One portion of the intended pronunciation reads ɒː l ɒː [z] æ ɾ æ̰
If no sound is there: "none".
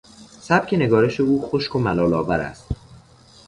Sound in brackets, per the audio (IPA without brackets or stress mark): v